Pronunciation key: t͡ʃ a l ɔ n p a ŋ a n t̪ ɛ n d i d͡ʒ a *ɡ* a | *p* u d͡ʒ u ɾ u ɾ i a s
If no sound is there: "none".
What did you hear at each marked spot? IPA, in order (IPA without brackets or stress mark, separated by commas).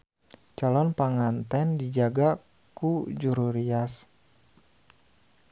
ɡ, k